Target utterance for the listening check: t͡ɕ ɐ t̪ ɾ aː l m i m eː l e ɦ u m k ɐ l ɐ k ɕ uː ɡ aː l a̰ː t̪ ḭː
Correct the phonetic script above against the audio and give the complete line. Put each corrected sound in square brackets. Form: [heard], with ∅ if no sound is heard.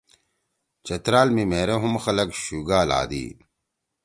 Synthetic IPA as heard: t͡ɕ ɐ t̪ ɾ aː l m i m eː [ɾ] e ɦ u m [x] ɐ l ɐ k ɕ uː ɡ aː l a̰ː [d̪] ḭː